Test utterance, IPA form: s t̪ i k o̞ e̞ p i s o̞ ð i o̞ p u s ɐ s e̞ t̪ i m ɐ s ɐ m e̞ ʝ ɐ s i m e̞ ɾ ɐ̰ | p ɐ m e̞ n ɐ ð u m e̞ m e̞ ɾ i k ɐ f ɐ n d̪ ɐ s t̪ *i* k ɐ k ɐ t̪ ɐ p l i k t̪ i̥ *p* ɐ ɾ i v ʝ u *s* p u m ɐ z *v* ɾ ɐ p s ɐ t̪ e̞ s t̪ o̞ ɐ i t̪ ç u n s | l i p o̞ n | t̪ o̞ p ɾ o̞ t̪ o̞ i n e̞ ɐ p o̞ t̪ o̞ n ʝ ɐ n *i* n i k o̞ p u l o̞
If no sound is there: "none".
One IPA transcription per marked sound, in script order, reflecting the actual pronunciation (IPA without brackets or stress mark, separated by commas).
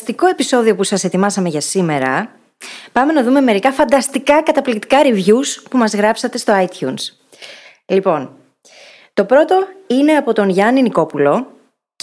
i, k, s, ɣ, i